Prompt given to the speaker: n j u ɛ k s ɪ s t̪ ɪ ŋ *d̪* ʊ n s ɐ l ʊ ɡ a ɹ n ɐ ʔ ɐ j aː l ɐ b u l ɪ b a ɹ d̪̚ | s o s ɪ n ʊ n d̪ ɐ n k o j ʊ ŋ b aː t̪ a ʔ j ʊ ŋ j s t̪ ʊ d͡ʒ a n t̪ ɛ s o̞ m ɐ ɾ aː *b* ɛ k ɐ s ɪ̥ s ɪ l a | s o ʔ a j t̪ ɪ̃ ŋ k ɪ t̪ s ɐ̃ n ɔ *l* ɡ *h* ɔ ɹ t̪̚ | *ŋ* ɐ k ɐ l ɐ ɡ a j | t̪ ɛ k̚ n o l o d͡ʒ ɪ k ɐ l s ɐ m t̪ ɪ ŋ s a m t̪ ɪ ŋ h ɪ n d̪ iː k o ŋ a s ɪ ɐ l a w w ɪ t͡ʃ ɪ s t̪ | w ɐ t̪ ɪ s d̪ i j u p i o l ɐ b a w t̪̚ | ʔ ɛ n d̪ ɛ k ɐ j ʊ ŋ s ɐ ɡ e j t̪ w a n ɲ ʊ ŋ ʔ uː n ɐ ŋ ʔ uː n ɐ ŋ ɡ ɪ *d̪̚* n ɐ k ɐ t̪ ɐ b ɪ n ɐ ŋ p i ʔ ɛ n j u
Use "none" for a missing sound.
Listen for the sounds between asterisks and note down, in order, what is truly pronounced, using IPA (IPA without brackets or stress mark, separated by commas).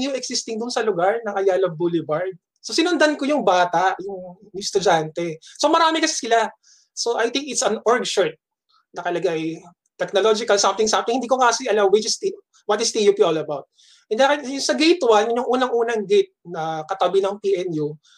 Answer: d̪, m, ɹ, ʃ, n, t̪̚